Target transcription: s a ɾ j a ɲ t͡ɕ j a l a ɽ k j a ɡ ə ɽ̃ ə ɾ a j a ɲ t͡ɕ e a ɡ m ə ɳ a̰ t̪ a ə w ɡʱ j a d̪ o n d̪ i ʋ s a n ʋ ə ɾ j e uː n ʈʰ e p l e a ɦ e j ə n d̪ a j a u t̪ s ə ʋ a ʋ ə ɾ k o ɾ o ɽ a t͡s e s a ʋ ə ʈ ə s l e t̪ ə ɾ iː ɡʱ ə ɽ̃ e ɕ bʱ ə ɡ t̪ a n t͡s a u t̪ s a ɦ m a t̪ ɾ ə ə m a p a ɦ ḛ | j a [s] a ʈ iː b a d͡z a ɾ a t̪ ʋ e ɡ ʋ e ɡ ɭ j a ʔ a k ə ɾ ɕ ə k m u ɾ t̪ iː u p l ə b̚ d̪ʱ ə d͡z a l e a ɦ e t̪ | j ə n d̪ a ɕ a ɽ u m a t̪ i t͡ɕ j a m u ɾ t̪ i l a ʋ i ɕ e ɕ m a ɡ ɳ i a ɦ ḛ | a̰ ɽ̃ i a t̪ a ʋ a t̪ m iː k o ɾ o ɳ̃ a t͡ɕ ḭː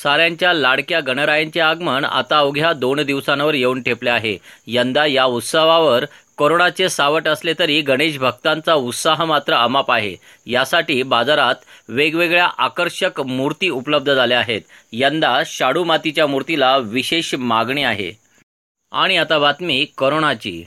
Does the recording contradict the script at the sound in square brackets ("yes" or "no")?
no